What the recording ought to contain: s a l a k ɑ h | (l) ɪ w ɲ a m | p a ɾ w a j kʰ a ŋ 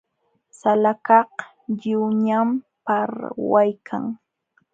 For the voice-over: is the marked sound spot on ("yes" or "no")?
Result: no